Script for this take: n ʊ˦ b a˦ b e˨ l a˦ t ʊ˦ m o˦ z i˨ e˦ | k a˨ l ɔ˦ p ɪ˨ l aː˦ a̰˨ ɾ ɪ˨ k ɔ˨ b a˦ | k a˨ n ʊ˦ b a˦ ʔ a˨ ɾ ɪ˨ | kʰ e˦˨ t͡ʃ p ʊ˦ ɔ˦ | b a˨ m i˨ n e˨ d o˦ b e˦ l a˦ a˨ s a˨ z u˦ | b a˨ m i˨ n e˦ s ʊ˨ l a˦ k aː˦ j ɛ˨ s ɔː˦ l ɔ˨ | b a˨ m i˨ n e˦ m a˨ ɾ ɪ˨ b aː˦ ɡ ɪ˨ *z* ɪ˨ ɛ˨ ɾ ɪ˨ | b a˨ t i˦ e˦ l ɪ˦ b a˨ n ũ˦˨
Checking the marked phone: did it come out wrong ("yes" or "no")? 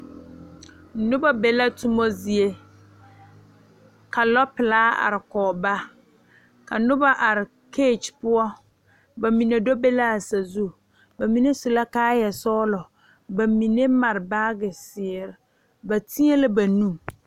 yes